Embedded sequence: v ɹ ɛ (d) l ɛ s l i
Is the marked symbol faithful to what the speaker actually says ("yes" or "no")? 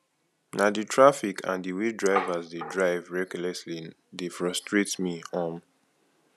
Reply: no